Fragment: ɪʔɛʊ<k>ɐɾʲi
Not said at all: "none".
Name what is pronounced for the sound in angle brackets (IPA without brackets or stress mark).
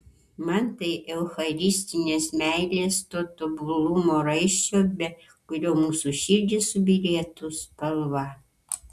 x